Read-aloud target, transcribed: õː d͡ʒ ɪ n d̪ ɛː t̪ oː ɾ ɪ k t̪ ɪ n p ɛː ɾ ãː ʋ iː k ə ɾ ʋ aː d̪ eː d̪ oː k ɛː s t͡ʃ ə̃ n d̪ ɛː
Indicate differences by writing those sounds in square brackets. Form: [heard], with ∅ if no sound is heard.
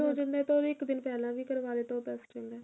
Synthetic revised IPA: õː d͡ʒ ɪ n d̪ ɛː t̪ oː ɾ ɪ k [d̪] ɪ n p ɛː [l] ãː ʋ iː k ə ɾ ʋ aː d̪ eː [t̪] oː [p] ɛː s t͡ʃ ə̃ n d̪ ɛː